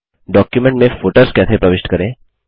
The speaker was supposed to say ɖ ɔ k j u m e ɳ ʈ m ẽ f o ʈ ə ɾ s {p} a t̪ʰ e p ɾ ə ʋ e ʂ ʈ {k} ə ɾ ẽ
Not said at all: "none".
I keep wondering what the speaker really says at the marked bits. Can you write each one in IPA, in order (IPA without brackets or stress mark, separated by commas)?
k, k